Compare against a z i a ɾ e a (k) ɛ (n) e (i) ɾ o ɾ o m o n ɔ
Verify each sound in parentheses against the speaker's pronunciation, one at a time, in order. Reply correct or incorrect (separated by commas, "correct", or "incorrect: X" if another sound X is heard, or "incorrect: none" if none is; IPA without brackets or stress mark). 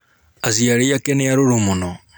correct, correct, incorrect: a